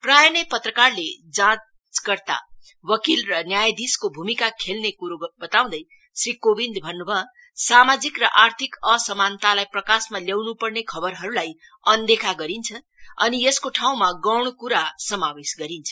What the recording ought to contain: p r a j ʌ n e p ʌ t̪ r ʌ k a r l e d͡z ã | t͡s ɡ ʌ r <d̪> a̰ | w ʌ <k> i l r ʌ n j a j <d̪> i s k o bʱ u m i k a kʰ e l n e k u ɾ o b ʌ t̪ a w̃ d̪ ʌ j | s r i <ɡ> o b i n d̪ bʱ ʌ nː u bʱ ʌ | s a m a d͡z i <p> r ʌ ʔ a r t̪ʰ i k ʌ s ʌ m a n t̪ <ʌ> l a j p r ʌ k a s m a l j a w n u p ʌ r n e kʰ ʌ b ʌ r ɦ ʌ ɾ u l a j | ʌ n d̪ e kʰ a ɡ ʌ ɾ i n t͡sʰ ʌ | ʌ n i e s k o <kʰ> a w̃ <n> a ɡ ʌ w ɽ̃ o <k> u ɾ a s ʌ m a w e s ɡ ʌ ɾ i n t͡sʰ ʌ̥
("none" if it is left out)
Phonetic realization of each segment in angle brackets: t̪, k, d̪, k, k, a, ʈʰ, m, k

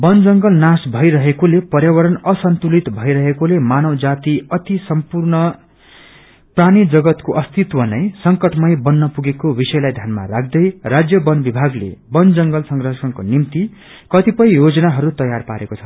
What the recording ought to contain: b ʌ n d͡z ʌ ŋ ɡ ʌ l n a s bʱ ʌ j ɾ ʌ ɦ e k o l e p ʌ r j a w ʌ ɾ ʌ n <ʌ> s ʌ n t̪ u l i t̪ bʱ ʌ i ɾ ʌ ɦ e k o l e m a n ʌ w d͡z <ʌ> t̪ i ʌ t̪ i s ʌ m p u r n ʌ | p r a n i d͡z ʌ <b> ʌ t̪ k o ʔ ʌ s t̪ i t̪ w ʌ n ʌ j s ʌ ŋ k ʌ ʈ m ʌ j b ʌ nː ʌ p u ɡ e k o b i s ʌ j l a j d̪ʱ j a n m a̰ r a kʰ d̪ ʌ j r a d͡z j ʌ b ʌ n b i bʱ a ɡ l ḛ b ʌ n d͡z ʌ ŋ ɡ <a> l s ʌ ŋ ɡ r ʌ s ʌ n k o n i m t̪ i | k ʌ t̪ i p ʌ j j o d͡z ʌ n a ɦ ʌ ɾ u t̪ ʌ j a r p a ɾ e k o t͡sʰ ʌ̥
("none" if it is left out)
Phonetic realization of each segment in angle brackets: ʌ, a, ɡ, ʌ

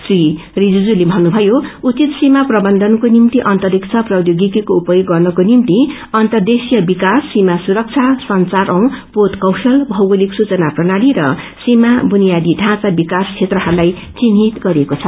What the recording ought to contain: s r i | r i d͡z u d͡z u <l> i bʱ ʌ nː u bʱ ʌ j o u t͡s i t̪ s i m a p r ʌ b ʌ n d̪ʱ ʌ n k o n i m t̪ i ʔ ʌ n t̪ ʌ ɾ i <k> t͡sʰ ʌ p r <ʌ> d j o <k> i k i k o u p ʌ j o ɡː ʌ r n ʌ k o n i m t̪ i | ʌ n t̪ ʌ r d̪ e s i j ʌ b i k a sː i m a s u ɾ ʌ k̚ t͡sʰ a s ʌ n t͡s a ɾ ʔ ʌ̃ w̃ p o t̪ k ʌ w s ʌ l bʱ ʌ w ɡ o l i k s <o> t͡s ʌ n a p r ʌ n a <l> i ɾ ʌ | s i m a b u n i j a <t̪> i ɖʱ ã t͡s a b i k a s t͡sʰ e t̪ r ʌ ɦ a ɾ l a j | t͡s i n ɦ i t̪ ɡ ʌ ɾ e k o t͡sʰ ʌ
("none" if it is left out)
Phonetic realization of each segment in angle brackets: l, k, ʌ, ɡ, u, ɽ, d̪

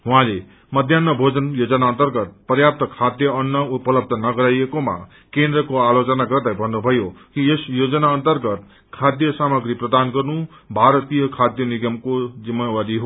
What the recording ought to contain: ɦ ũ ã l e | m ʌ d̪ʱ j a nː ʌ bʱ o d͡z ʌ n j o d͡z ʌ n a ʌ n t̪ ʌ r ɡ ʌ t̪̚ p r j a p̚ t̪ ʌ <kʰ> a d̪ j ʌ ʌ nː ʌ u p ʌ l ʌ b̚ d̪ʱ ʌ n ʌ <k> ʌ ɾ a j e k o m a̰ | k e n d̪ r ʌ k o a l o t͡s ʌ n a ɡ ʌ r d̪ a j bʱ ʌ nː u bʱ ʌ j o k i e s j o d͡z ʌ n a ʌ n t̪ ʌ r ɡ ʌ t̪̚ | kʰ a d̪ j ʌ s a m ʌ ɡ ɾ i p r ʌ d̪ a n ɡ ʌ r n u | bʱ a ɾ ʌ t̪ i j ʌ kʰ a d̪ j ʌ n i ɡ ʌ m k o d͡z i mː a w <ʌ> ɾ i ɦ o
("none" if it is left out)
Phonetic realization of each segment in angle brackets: kʰ, ɡ, a

